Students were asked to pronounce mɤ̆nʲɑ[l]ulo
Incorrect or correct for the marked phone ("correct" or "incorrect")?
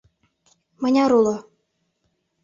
incorrect